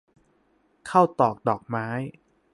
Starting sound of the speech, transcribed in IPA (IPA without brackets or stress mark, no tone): kʰ